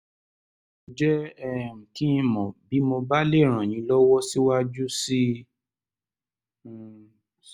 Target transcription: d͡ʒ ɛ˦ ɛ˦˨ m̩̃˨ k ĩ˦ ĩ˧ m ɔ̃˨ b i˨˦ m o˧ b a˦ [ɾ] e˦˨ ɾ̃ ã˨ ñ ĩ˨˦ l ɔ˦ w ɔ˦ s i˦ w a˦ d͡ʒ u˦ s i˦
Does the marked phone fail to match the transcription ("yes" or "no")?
yes